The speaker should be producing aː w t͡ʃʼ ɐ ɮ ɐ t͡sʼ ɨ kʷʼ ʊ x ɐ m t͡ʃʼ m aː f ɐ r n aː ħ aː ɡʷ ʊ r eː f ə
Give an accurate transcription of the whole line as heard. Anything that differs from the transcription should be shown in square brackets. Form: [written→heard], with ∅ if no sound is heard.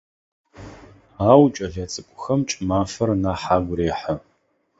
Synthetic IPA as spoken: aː w t͡ʃʼ ɐ ɮ ɐ t͡sʼ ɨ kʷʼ ʊ x ɐ m t͡ʃʼ m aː f ɐ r n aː ħ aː ɡʷ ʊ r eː [f→ħ] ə